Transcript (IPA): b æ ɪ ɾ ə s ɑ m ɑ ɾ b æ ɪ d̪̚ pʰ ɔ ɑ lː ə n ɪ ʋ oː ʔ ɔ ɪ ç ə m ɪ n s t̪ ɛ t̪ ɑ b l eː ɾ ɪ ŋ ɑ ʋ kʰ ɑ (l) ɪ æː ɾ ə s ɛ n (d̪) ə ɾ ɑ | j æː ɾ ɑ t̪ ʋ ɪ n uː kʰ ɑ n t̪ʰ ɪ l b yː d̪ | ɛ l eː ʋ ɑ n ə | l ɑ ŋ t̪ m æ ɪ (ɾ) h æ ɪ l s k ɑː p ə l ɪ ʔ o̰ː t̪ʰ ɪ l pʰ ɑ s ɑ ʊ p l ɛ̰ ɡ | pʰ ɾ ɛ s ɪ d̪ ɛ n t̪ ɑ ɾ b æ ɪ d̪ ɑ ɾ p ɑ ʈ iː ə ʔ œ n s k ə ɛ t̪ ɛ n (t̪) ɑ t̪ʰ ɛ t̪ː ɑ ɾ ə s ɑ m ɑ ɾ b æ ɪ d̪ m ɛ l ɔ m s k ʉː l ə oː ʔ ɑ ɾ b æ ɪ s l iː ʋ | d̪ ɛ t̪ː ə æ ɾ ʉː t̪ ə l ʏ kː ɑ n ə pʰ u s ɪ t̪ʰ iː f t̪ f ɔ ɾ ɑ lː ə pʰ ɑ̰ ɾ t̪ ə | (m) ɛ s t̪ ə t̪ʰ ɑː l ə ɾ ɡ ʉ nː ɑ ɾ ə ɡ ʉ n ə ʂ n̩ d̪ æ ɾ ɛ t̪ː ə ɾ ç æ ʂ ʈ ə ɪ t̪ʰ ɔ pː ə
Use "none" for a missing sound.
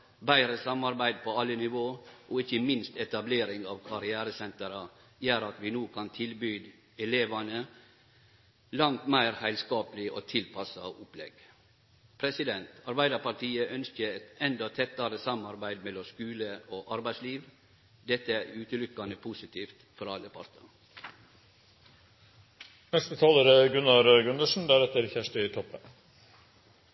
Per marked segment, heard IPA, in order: ɾ, t̪, ɾ, d̪, n

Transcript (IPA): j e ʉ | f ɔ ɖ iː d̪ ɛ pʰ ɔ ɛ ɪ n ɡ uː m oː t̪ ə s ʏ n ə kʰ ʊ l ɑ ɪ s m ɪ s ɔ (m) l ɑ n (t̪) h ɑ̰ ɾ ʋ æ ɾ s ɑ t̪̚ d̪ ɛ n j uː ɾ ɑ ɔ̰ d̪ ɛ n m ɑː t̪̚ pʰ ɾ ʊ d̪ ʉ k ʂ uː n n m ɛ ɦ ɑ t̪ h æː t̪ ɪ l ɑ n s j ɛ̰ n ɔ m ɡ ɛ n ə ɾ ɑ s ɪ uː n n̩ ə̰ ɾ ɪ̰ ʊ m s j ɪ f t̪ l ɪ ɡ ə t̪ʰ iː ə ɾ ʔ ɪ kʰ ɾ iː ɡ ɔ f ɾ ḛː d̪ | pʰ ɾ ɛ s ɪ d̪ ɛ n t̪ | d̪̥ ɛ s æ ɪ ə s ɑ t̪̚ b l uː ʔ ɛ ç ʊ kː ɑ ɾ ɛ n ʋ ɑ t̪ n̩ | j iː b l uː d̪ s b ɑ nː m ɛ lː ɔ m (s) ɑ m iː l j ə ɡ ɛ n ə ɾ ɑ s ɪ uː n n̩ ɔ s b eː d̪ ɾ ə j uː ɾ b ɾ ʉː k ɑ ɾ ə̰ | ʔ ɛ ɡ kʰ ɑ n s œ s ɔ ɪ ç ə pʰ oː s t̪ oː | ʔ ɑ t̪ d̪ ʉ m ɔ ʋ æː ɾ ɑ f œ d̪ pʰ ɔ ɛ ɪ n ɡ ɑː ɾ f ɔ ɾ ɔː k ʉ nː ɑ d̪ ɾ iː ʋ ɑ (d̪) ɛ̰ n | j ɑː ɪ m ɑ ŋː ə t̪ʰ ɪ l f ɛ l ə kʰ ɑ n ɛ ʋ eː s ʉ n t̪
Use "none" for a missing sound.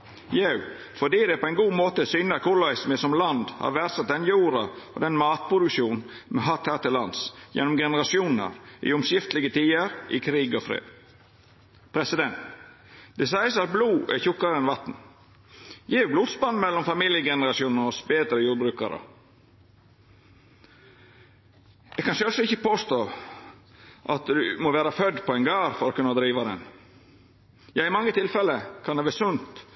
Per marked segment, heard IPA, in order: m, d̪, f, d̪

